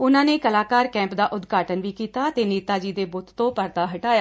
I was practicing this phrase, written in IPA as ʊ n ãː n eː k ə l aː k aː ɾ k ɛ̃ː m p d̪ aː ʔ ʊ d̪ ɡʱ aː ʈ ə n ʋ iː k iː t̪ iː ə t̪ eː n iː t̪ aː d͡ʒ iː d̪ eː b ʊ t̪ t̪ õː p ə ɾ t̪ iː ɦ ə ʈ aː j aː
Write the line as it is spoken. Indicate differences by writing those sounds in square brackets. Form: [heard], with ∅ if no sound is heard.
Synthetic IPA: ʊ n ãː n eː k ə l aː k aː ɾ k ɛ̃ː m p d̪ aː ʔ ʊ d̪ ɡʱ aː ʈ ə n ʋ iː k iː t̪ [aː] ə t̪ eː n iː t̪ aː d͡ʒ iː d̪ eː b ʊ t̪ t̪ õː p ə ɾ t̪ [aː] ɦ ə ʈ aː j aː